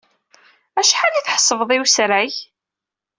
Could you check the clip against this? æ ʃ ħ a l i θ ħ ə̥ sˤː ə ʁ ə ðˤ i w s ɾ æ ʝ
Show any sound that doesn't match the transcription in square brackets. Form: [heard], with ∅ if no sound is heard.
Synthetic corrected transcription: æ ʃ ħ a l i θ ħ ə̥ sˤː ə [v] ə ðˤ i w s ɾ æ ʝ